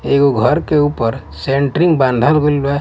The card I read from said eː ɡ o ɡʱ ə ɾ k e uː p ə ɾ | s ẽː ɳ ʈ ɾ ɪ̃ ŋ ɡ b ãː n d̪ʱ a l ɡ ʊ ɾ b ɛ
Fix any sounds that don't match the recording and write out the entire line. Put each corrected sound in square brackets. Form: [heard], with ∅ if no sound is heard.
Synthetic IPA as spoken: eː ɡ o ɡʱ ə ɾ k e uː p ə ɾ | s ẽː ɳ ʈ ɾ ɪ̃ ŋ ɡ b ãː n d̪ʱ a l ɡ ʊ [l] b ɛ